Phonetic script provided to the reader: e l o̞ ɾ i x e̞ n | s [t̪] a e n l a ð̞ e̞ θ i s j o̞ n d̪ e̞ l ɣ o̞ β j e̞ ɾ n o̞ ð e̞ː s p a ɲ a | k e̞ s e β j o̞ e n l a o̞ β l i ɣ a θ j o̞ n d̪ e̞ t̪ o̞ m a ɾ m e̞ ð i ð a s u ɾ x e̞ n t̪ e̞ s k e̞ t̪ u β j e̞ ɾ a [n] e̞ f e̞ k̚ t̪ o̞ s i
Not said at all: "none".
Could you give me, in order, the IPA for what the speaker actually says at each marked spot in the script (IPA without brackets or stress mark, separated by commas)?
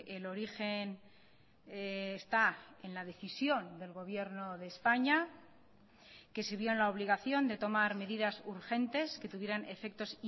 t̪, n